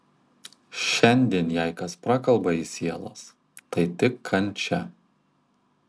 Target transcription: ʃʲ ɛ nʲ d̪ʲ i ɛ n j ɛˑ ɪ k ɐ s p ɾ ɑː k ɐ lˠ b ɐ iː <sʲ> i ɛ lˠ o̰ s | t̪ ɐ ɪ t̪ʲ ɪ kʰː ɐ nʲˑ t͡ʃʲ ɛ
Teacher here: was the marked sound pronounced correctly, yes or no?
yes